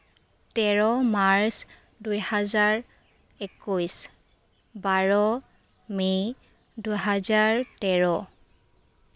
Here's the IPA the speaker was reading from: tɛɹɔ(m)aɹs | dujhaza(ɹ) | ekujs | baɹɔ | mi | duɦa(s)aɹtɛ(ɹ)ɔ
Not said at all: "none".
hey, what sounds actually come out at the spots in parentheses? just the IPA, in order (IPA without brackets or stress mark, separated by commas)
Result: m, ɹ, z, ɹ